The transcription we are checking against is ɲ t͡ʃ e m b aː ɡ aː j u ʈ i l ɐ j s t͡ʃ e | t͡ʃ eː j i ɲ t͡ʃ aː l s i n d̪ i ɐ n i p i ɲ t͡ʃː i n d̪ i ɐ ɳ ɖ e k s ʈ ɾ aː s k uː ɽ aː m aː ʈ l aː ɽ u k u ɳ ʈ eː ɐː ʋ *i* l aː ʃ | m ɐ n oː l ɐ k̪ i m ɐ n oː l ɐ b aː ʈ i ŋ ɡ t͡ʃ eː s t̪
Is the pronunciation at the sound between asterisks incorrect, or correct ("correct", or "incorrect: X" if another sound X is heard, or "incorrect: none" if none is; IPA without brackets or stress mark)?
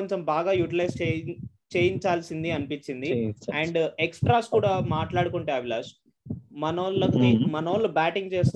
correct